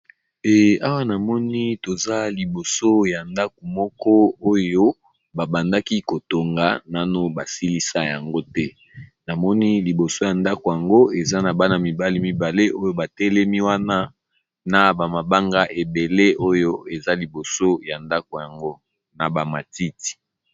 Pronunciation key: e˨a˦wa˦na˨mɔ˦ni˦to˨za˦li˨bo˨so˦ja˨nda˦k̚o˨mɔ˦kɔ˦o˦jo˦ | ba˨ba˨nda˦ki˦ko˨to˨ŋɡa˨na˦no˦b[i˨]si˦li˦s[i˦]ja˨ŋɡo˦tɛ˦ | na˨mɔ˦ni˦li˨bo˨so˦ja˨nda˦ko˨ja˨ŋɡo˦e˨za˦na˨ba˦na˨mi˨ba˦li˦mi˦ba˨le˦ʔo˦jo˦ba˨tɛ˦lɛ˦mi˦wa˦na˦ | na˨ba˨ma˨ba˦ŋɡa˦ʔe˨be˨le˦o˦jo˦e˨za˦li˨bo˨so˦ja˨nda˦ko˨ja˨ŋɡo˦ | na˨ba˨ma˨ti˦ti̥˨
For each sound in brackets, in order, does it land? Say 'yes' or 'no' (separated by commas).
no, no